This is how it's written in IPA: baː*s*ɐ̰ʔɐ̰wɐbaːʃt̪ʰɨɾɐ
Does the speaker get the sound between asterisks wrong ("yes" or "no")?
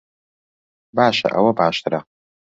yes